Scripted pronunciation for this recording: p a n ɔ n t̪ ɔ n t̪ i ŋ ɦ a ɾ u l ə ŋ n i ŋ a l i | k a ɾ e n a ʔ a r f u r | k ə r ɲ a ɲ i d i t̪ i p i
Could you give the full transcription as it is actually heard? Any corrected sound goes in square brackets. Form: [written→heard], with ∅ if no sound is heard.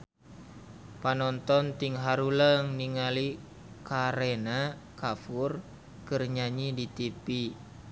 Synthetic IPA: p a n ɔ n t̪ ɔ n t̪ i ŋ ɦ a ɾ u l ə ŋ n i ŋ a l i | k a ɾ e n a [ʔ→k] a [r→∅] f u r | k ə r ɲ a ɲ i d i t̪ i p i

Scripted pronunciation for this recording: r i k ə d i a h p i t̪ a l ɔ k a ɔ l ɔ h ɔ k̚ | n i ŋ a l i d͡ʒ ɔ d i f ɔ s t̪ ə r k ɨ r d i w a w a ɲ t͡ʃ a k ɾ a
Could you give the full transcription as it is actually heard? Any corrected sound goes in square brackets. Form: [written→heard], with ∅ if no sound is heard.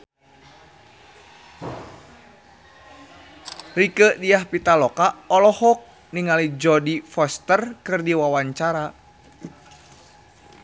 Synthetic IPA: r i k ə d i a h p i t̪ a l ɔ k a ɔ l ɔ h ɔ k̚ | n i ŋ a l i d͡ʒ ɔ d i f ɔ s t̪ ə r k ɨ r d i w a w a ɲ t͡ʃ a [k→∅] ɾ a

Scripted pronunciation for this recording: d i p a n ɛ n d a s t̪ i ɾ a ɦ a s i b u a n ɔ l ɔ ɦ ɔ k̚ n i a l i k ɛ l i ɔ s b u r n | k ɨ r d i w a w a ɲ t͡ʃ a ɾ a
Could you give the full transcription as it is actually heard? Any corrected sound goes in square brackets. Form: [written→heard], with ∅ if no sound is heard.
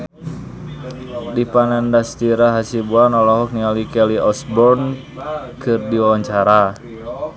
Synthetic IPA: d i p a n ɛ n d a s t̪ i ɾ a ɦ a s i b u a n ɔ l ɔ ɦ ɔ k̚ n i a l i k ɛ l i ɔ s b [u→ɔ] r n | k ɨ r d i w a w a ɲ t͡ʃ a ɾ a

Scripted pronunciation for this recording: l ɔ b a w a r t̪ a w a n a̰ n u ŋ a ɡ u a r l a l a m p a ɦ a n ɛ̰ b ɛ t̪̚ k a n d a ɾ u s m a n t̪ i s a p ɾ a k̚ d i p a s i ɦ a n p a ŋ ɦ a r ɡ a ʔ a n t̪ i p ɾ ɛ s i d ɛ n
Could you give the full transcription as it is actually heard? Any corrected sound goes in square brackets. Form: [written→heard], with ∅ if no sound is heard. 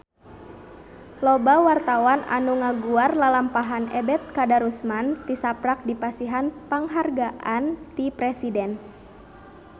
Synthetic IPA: l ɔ b a w a r t̪ a w a n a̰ n u ŋ a ɡ u a r l a l a m p a ɦ a n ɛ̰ b ɛ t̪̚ k a [n→∅] d a ɾ u s m a n t̪ i s a p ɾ a k̚ d i p a s i ɦ a n p a ŋ ɦ a r ɡ a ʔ a n t̪ i p ɾ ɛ s i d ɛ n

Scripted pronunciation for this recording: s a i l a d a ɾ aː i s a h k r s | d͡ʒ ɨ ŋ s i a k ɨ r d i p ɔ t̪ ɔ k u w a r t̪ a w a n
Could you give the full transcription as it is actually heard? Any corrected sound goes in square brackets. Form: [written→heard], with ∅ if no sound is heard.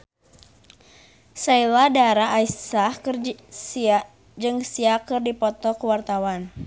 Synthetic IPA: s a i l a d a ɾ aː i s a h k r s | d͡ʒ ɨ ŋ s i a k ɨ r d i p ɔ t̪ ɔ k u w a r t̪ a w a n

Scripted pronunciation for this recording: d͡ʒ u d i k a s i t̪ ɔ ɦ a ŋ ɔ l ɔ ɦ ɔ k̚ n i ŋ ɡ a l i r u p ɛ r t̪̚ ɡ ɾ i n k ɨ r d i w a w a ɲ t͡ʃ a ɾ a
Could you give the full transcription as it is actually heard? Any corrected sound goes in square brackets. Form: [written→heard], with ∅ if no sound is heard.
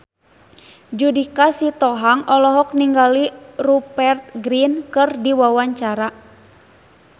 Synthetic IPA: d͡ʒ u d i k a s i t̪ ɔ ɦ a ŋ ɔ l ɔ ɦ ɔ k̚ n i ŋ ɡ a l i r u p ɛ r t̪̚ ɡ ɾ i n k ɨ r d i w a w a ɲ t͡ʃ a ɾ a

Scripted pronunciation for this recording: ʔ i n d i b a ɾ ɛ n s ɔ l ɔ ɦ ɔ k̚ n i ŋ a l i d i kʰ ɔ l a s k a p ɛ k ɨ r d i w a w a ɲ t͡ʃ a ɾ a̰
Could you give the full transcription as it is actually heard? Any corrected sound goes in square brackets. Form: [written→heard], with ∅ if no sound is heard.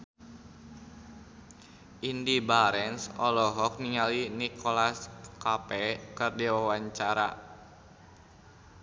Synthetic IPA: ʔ i n d i b a ɾ ɛ n s ɔ l ɔ ɦ ɔ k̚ n i ŋ a l i [d→n] i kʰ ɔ l a s k a p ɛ k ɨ r d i w a w a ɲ t͡ʃ a ɾ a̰

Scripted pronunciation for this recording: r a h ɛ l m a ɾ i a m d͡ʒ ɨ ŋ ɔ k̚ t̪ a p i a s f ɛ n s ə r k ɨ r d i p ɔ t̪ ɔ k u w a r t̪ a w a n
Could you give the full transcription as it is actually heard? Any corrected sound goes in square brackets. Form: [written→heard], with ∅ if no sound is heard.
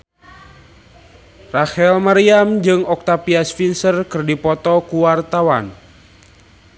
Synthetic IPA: r a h ɛ l m a ɾ i a m d͡ʒ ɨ ŋ ɔ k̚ t̪ a p i a s f [ɛ→i] n s ə r k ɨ r d i p ɔ t̪ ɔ k u w a r t̪ a w a n

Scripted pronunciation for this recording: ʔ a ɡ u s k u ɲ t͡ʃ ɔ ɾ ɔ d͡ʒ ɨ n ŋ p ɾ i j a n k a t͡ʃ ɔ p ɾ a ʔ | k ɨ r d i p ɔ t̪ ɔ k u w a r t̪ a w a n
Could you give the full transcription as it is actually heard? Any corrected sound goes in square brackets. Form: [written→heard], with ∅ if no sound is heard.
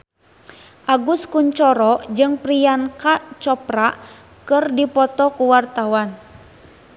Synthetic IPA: ʔ a ɡ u s k u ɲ t͡ʃ ɔ ɾ ɔ d͡ʒ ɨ [n→∅] ŋ p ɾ i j a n k a t͡ʃ ɔ p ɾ a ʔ | k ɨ r d i p ɔ t̪ ɔ k u w a r t̪ a w a n

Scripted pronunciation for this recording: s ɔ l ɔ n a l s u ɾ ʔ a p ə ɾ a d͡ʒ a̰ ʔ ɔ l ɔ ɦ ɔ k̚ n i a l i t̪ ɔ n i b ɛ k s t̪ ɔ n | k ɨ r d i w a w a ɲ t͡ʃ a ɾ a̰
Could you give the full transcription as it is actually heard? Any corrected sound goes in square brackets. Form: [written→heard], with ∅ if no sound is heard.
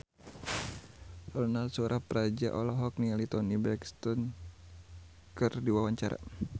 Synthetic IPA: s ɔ l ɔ n a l s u ɾ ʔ a p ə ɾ a d͡ʒ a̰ ʔ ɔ l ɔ ɦ ɔ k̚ n i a l i t̪ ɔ n i b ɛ k s t̪ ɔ n | k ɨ r d i w a w a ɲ t͡ʃ a ɾ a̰

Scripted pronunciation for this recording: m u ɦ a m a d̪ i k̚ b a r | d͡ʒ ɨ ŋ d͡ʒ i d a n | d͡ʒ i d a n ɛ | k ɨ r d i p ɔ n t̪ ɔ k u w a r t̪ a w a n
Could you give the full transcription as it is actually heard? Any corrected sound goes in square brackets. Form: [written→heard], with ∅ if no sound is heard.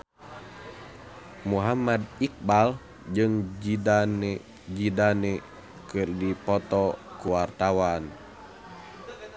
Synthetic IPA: m u ɦ a m a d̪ i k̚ b a [r→l] | d͡ʒ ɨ ŋ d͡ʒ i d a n | d͡ʒ i d a n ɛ | k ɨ r d i p ɔ [n→∅] t̪ ɔ k u w a r t̪ a w a n

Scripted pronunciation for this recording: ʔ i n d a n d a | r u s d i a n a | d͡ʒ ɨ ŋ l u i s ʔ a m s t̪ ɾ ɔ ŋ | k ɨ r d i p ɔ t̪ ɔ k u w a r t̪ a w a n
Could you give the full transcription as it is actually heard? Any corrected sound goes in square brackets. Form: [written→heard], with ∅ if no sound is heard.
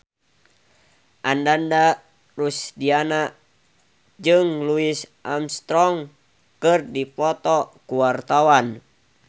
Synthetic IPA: ʔ [i→a] n d a n d a | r u s d i a n a | d͡ʒ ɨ ŋ l u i s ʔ a m s t̪ ɾ ɔ ŋ | k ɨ r d i p ɔ t̪ ɔ k u w a r t̪ a w a n

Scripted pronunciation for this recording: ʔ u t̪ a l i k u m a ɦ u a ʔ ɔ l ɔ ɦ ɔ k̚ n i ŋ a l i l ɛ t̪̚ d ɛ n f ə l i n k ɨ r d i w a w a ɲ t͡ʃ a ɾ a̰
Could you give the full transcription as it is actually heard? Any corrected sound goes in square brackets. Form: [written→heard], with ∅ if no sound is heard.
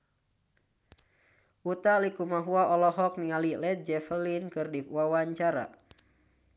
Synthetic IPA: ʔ u t̪ a l i k u m a ɦ u a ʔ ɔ l ɔ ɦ ɔ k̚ n i ŋ a l i l ɛ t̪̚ [d→d͡ʒ] ɛ [n→∅] f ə l i n k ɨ r d i w a w a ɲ t͡ʃ a ɾ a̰

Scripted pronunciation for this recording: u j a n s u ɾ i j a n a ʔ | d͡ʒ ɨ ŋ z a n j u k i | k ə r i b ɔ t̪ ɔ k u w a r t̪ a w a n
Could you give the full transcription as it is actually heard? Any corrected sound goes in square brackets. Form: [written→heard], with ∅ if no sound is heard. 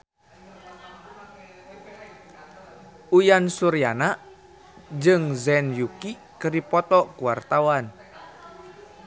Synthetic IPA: u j a n s u ɾ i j a n a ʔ | d͡ʒ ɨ ŋ z [a→ɛ] n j u k i | k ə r i [b→p] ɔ t̪ ɔ k u w a r t̪ a w a n

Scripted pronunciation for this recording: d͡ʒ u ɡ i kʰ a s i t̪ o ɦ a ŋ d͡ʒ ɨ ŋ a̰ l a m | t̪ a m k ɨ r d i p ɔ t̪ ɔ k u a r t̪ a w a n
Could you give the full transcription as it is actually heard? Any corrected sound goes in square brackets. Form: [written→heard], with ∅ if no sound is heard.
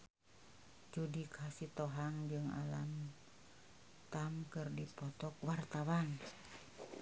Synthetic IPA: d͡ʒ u [ɡ→d] i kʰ a s i t̪ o ɦ a ŋ d͡ʒ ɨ ŋ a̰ l a m | t̪ a m k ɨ r d i p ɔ t̪ ɔ k [u→w] a r t̪ a w a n

